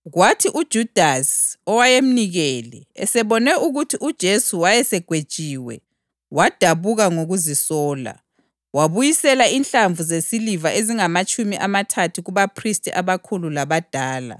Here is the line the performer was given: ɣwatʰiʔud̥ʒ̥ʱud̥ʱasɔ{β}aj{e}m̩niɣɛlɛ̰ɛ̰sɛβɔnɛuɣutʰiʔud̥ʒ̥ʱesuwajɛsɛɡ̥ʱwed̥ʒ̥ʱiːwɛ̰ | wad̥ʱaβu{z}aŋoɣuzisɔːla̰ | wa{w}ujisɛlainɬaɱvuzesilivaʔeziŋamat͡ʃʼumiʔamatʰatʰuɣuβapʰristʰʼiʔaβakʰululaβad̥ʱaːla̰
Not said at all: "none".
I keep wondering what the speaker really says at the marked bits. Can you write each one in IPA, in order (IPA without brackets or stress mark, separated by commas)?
w, e, ɣ, β